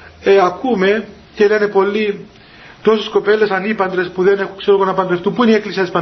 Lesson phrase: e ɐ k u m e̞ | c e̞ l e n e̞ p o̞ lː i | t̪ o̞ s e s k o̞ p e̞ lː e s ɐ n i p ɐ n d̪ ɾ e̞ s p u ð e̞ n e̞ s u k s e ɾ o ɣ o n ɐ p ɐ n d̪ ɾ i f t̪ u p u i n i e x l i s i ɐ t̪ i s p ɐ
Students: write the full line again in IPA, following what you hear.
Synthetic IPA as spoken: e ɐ k u m e̞ | c e̞ l e n e̞ p o̞ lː i | t̪ o̞ s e s k o̞ p e̞ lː e s ɐ n i p ɐ n d̪ ɾ e̞ s p u ð e̞ n e̞ x u k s e ɾ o ɣ o n ɐ p ɐ n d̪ ɾ e f t̪ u p u i n i e k l i s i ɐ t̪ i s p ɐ